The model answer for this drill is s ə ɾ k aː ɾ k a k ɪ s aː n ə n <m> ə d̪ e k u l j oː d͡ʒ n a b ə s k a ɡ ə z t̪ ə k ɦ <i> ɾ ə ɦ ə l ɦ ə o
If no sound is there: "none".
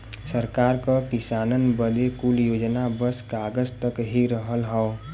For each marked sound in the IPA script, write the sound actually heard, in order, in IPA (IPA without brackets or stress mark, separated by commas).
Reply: b, i